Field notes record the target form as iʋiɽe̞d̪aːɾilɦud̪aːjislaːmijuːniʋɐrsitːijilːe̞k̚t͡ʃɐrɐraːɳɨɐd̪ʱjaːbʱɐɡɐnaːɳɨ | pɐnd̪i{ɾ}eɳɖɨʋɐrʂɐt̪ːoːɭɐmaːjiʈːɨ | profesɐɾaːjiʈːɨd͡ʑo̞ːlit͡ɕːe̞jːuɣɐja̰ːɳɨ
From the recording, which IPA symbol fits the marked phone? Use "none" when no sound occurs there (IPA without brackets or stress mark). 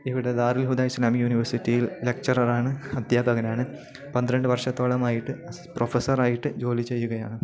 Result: ɾ